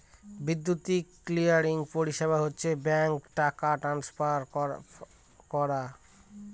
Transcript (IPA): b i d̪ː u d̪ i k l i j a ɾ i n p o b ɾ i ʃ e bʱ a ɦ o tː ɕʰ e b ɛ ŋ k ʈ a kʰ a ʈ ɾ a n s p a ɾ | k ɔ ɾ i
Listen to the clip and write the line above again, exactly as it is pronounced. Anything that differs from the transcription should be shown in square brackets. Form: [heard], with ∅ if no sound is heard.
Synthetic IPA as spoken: b i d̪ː u [t̪] i k l i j a ɾ i [ŋ] p o [∅] ɾ i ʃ e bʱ a ɦ o tː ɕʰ e b ɛ ŋ k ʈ a [k] a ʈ ɾ a n s p a ɾ | k ɔ ɾ [a]